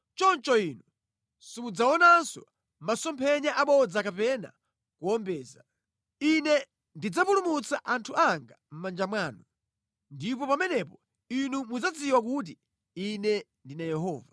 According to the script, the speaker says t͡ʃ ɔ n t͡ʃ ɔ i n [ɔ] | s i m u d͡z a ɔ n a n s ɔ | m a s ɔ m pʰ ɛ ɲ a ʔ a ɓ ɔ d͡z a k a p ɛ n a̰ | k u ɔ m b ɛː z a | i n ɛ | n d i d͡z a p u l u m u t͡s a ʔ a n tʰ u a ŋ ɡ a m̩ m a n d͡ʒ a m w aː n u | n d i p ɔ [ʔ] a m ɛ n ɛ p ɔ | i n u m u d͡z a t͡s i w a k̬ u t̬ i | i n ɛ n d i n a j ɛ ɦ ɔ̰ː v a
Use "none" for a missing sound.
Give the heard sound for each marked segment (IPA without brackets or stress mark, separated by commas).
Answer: u, p